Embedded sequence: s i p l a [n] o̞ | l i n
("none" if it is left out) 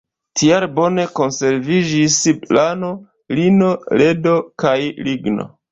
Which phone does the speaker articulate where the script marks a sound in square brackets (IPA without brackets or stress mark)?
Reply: n